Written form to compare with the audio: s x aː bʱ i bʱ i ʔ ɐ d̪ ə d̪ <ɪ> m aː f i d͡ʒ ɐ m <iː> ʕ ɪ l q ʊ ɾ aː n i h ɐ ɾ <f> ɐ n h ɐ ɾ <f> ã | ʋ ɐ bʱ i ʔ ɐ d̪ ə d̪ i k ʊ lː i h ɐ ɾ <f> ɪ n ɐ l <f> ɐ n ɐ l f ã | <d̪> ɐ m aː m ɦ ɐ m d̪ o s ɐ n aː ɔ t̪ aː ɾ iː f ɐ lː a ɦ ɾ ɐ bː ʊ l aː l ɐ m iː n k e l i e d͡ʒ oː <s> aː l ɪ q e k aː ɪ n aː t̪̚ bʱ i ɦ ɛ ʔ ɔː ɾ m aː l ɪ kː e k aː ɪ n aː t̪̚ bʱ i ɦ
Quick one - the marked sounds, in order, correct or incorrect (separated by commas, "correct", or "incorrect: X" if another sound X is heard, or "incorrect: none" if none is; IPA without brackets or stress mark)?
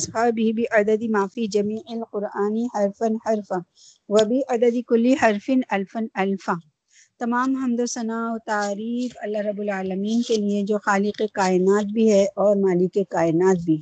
incorrect: i, correct, correct, correct, correct, correct, incorrect: t̪, incorrect: x